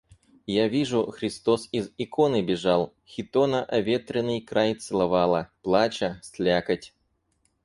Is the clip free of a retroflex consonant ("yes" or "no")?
no